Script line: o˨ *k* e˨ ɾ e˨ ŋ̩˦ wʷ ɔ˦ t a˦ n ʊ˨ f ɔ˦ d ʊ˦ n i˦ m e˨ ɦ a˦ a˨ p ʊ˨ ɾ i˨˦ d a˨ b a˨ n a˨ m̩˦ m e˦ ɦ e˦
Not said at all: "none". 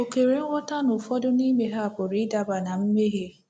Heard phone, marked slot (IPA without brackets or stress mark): k